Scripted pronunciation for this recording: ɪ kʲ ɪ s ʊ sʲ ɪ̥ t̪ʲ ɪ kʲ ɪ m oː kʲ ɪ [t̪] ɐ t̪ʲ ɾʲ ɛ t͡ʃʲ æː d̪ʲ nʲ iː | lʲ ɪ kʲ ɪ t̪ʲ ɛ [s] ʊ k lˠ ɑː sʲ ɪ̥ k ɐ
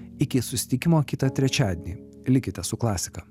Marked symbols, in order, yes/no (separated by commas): yes, yes